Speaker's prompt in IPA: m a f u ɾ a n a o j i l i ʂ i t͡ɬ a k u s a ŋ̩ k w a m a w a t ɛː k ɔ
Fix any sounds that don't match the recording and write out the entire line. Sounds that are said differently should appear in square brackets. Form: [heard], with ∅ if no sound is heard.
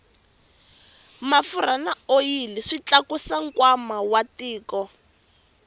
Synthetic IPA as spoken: m a f u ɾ a n a o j i l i ʂ i t͡ɬ a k u s a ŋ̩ k w a m a w a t [iː] k ɔ